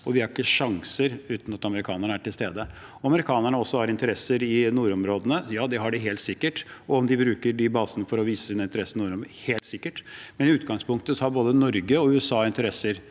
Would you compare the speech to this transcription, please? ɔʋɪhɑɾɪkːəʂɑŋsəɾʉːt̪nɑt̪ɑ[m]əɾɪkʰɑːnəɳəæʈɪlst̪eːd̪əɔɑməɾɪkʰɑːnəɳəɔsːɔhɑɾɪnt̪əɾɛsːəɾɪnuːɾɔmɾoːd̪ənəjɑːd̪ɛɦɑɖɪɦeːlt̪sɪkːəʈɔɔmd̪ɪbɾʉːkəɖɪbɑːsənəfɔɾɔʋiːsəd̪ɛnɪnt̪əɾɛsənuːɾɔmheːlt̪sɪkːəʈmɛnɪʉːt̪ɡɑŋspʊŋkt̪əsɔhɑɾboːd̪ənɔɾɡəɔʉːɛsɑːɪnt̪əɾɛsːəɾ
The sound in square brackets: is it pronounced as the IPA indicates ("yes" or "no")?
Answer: yes